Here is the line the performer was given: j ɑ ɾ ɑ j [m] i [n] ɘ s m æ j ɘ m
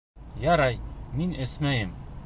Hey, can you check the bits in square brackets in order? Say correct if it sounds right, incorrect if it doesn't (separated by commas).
correct, correct